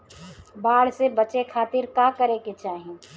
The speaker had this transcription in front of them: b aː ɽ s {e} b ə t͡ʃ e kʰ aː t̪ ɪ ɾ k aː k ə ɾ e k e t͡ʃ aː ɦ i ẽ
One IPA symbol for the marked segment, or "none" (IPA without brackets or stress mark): e